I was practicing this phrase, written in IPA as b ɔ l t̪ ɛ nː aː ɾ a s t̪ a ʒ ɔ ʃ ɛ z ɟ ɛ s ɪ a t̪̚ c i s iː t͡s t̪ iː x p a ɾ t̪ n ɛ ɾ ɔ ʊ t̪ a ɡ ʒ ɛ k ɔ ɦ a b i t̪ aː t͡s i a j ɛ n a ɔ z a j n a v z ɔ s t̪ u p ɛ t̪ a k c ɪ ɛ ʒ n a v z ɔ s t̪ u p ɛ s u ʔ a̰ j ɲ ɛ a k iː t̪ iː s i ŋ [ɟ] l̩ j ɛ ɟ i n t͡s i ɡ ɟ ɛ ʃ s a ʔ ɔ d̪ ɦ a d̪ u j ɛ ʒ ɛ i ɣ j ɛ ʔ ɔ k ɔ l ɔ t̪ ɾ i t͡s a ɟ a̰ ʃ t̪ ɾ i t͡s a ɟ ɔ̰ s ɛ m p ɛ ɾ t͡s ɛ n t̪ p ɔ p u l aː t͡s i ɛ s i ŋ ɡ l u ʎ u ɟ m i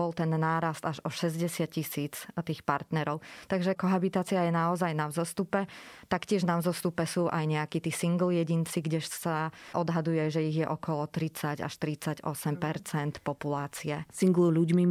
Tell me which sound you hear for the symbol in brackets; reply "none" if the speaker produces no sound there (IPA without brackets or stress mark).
ɡ